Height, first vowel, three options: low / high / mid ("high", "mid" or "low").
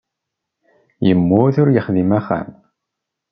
mid